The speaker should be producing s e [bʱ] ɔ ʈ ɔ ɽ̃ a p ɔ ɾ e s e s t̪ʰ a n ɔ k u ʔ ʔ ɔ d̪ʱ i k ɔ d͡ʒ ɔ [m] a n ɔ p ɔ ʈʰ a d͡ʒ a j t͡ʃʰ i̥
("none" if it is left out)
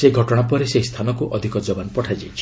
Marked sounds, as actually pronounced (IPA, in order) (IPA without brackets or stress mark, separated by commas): ɡʱ, b